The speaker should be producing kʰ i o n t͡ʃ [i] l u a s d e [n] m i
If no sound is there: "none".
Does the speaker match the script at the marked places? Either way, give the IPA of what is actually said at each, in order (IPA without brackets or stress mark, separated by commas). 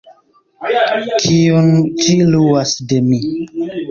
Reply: i, none